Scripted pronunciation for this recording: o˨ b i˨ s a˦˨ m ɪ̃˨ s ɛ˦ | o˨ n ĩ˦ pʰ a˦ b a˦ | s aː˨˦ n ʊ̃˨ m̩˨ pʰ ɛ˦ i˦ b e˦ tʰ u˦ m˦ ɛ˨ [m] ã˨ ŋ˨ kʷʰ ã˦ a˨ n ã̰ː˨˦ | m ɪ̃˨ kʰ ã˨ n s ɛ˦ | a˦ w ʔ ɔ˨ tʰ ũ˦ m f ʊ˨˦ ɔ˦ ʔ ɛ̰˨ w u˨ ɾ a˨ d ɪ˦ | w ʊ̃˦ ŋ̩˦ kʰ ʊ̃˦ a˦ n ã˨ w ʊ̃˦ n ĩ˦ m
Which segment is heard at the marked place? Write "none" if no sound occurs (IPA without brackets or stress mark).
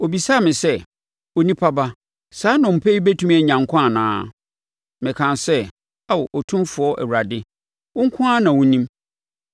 ɲ